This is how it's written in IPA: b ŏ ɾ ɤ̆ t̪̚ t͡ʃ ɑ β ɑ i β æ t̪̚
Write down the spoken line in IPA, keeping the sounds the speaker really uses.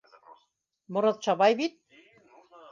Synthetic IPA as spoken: m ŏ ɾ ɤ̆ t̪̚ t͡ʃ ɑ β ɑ j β i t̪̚